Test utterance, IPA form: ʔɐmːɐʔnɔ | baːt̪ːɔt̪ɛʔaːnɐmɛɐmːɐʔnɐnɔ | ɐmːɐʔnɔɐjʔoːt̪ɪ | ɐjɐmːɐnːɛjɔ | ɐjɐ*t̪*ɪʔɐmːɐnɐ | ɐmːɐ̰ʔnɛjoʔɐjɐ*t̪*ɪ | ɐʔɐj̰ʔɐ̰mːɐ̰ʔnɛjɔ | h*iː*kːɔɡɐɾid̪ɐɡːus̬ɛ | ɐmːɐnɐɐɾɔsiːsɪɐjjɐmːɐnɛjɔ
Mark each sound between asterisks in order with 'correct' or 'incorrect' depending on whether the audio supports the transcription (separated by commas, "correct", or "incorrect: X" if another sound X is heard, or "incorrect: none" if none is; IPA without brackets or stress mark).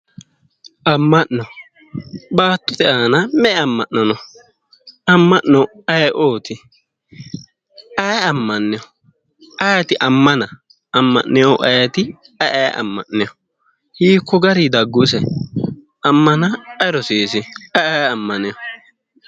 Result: correct, correct, correct